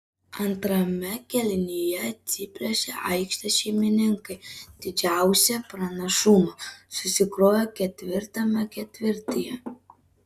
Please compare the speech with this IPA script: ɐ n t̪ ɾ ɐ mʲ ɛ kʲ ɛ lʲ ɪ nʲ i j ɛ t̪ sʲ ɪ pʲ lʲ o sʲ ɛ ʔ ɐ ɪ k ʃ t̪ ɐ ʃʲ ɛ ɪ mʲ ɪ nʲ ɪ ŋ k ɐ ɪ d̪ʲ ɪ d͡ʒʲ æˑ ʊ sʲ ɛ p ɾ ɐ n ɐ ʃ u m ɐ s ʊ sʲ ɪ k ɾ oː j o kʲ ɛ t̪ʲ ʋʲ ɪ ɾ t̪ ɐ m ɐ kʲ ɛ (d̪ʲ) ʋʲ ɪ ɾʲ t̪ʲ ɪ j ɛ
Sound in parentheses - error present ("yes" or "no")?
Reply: yes